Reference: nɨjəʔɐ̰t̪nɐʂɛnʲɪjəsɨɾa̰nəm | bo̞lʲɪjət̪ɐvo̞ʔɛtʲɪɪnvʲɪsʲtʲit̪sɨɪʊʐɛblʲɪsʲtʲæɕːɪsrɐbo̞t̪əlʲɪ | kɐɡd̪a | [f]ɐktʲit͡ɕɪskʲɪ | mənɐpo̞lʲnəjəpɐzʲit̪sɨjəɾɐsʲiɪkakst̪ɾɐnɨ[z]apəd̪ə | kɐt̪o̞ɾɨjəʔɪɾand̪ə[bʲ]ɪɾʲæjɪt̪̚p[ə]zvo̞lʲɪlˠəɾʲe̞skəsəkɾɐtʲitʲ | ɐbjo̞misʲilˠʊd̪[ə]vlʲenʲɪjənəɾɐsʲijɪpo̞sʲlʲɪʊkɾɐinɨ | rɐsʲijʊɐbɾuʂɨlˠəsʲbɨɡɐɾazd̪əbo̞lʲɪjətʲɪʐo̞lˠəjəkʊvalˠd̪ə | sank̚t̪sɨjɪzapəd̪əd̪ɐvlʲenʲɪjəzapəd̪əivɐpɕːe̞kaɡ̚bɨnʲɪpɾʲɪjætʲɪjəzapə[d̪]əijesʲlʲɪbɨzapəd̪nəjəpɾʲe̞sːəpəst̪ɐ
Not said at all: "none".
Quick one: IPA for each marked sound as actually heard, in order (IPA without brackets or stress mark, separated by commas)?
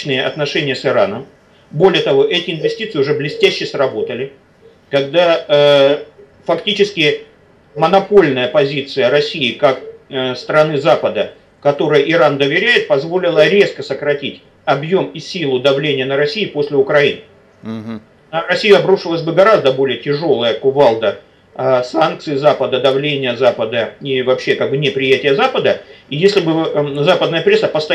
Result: f, z, vʲ, ɐ, ɐ, d̪